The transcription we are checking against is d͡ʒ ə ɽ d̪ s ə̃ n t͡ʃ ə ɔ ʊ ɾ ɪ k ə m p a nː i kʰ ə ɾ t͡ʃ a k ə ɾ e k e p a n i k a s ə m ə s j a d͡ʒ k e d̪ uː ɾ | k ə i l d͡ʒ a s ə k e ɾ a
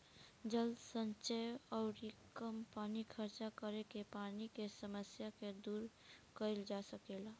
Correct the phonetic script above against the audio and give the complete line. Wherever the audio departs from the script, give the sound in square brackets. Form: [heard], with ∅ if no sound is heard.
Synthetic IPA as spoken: d͡ʒ ə [l] d̪ s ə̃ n t͡ʃ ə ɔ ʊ ɾ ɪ k ə m p a [n] i kʰ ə ɾ t͡ʃ a k ə ɾ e k e p a n i k [e] s ə m ə s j a [∅] k e d̪ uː ɾ | k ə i l d͡ʒ a s ə k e [l] a